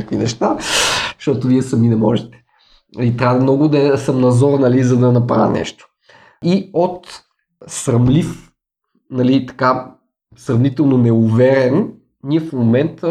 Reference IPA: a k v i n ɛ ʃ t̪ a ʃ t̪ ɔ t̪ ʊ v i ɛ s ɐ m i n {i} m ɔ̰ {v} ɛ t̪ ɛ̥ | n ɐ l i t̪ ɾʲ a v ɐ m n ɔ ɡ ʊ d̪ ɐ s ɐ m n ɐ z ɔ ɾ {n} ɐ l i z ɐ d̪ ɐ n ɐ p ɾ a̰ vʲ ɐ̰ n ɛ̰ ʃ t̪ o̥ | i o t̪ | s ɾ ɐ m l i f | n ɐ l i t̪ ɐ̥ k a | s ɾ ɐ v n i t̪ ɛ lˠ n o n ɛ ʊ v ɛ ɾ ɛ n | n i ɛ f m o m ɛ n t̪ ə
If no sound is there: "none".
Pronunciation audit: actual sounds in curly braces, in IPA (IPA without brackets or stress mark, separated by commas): ɛ, ʒ, n